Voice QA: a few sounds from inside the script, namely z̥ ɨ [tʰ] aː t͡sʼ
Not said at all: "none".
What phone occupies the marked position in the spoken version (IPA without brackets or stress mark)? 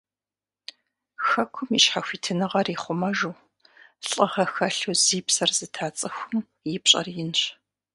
tʰ